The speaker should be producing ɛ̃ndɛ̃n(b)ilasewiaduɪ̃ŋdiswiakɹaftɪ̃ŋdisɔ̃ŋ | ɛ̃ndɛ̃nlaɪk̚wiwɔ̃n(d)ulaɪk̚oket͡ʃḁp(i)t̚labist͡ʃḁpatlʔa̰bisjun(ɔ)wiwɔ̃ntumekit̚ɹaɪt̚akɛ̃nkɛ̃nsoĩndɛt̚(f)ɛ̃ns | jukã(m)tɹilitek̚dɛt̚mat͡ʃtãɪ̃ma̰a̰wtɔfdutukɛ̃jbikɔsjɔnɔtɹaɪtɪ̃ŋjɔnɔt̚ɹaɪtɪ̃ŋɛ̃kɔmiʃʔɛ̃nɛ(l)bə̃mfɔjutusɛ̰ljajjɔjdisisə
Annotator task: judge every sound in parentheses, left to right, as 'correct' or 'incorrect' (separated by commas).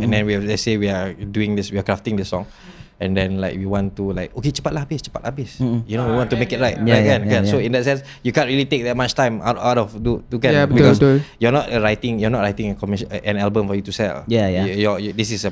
incorrect, incorrect, incorrect, incorrect, incorrect, incorrect, correct